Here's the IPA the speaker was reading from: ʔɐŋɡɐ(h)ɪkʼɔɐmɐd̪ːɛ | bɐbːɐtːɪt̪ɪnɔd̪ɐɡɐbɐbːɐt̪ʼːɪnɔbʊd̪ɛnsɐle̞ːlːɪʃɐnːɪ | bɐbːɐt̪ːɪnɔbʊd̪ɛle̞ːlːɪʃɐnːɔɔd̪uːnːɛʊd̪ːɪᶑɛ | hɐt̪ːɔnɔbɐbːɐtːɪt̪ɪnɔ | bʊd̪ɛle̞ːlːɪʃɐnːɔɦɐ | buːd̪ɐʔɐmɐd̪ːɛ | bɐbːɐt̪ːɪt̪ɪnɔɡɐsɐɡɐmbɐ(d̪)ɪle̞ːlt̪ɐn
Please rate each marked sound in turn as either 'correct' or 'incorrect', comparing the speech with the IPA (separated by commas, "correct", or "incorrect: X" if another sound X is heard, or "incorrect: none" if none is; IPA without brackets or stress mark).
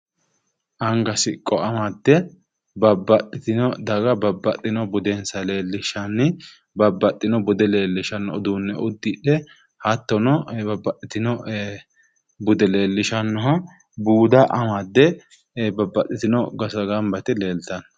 incorrect: s, incorrect: t̪